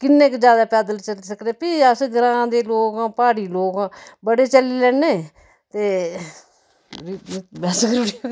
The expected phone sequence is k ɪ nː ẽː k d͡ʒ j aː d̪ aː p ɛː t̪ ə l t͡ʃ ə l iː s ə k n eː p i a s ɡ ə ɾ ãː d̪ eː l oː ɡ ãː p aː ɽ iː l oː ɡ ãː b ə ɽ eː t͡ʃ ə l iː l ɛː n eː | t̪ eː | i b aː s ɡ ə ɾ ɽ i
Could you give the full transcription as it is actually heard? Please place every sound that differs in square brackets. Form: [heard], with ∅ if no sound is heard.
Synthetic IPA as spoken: k ɪ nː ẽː k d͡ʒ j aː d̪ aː p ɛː [d̪] ə l t͡ʃ ə l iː s ə k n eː p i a s ɡ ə ɾ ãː d̪ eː l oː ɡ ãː p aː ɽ iː l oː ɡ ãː b ə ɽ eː t͡ʃ ə l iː l ɛː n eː | t̪ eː | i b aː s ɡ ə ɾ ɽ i